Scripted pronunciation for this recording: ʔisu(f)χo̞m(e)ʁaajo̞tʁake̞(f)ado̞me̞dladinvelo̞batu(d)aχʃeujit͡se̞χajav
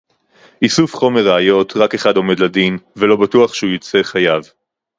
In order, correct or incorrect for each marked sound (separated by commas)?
correct, correct, incorrect, incorrect